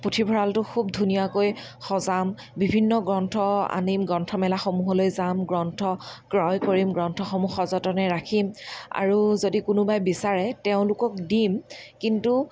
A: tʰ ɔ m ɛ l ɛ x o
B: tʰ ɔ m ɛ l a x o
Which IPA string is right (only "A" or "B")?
B